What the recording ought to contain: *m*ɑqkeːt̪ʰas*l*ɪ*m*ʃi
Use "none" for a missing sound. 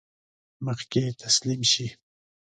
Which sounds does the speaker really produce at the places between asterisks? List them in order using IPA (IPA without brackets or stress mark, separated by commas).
m, l, m